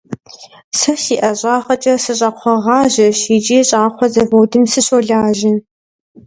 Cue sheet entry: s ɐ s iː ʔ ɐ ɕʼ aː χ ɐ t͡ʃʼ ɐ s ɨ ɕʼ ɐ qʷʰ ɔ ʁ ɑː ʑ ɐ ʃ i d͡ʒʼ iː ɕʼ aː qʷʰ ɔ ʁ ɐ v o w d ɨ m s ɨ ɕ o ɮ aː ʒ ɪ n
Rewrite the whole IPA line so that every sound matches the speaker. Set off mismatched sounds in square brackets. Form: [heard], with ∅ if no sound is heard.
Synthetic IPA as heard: s ɐ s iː ʔ ɐ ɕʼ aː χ ɐ t͡ʃʼ ɐ s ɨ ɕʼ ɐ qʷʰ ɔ ʁ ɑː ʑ ɐ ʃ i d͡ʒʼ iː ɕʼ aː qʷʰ ɔ [z] ɐ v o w d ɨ m s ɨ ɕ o ɮ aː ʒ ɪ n